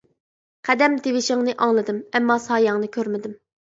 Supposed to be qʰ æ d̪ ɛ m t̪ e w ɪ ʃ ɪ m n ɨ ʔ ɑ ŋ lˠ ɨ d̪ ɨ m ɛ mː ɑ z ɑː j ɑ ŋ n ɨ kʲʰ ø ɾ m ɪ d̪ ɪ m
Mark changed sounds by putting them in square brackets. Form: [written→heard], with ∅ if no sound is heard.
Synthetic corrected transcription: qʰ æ d̪ ɛ m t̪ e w ɪ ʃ ɪ [m→ŋ] n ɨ ʔ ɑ ŋ lˠ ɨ d̪ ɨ m ɛ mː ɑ [z→s] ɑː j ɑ ŋ n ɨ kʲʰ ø ɾ m ɪ d̪ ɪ m